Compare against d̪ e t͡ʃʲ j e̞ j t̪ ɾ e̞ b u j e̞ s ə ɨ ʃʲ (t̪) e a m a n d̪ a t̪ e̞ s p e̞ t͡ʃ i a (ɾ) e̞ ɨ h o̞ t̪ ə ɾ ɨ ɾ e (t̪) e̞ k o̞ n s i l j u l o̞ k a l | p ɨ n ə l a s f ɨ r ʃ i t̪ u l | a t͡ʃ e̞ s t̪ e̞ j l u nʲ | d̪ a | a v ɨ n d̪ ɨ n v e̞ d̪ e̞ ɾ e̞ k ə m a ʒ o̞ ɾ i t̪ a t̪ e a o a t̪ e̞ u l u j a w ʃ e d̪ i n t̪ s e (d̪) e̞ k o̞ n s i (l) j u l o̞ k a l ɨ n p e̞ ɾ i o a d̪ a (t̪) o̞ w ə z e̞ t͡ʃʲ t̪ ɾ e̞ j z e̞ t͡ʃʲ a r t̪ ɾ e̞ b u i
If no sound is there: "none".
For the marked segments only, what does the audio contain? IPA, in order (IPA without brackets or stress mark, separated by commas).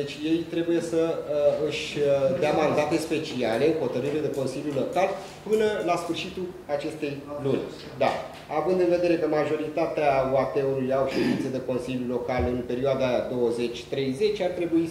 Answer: d̪, l, d̪, d̪, l, d̪